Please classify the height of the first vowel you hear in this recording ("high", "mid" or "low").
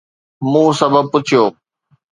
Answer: high